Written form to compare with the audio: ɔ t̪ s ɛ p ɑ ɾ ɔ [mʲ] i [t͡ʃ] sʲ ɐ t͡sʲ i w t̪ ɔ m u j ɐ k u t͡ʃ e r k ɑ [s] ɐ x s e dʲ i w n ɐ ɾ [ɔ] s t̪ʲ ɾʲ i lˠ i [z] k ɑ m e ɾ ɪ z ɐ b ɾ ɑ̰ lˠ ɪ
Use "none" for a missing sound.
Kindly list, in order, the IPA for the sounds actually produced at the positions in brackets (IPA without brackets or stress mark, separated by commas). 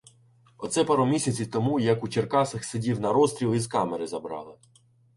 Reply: mʲ, none, s, ɔ, z